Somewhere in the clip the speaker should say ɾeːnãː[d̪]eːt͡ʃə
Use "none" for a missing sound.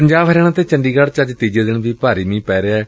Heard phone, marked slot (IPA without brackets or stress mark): t̪